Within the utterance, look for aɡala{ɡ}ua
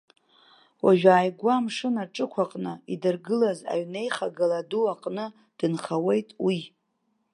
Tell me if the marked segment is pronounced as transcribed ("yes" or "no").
no